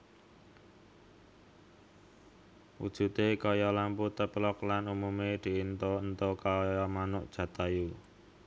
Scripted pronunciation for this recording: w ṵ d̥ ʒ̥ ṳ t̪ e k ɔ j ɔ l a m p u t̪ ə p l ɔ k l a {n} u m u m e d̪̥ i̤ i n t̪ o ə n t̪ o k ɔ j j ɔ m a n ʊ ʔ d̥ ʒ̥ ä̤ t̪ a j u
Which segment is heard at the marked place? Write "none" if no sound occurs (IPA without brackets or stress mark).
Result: n